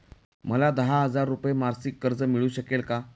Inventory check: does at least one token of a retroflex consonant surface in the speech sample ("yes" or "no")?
yes